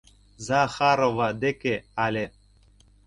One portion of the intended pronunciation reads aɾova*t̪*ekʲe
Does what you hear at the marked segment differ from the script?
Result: yes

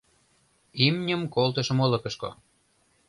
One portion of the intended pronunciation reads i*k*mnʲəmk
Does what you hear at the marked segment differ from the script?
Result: yes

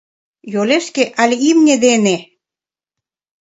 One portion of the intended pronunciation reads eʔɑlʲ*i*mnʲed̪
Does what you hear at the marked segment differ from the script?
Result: no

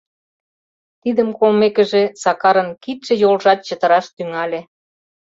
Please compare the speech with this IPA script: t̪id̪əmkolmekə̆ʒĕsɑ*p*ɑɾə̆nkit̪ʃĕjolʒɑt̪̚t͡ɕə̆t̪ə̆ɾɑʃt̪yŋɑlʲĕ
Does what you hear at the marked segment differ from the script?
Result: yes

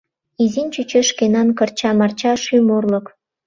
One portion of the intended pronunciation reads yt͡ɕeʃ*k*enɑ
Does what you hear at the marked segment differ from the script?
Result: no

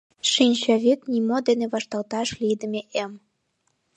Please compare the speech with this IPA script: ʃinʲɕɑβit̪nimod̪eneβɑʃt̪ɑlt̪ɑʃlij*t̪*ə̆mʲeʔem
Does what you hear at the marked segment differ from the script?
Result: yes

